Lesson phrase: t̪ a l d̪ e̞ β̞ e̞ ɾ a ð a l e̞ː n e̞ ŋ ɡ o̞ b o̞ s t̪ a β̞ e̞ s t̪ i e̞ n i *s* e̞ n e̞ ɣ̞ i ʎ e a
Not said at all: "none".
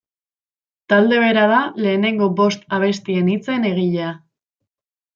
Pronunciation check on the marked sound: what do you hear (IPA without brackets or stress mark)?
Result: t͡s